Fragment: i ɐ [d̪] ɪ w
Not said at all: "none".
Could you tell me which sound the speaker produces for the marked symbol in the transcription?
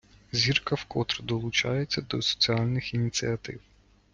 t̪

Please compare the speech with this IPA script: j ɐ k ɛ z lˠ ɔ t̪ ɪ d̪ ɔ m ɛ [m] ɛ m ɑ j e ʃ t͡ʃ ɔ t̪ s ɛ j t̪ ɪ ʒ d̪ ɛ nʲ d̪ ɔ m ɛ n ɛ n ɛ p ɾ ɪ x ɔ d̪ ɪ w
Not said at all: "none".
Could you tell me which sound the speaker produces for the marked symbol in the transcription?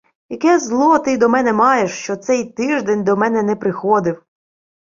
n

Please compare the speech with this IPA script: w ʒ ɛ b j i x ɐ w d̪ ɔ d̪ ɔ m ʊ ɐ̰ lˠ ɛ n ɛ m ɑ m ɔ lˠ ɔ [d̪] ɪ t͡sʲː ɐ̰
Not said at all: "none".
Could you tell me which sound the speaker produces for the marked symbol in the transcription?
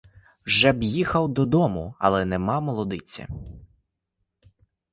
d̪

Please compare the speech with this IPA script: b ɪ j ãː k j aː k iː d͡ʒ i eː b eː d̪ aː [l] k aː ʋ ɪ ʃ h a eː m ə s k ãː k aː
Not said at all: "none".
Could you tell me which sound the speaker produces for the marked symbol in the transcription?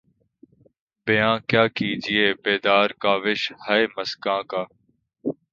ɾ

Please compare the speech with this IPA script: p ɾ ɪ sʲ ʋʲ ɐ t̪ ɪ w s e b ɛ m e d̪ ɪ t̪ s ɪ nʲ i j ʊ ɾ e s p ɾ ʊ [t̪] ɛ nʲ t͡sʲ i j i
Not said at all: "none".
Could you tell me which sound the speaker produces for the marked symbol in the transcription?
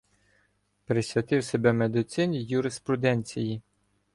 d̪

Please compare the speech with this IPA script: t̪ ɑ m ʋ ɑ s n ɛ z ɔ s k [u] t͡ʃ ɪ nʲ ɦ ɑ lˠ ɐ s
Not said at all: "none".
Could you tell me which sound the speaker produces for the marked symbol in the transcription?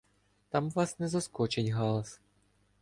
ɔ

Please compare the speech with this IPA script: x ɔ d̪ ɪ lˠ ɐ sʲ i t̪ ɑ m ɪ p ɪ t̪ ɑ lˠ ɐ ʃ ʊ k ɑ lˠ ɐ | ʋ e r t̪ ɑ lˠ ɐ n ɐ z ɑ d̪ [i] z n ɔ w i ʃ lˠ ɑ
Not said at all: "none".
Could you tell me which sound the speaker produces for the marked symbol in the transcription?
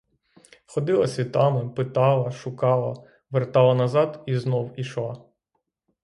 i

